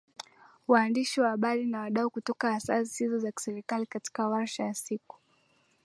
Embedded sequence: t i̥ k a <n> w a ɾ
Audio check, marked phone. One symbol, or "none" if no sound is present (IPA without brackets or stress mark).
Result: none